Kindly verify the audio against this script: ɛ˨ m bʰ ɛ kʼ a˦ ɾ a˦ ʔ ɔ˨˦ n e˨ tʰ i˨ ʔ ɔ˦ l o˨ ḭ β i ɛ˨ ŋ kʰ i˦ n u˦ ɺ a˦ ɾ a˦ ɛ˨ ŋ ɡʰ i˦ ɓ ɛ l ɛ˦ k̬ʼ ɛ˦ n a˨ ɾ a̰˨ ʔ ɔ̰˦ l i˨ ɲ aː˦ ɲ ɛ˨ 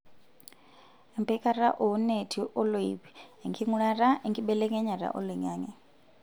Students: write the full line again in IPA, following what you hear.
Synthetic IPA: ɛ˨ m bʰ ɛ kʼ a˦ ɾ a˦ ʔ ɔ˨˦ n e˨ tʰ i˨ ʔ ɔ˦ l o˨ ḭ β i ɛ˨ ŋ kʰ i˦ ŋ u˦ ɺ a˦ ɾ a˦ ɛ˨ ŋ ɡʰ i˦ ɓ ɛ l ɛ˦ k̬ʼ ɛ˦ ɲ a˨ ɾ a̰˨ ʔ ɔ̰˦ l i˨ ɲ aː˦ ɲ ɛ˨